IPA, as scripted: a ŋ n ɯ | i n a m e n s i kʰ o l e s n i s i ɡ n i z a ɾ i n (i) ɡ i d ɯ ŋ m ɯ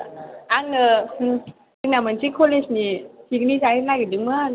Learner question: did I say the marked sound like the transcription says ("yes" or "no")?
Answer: no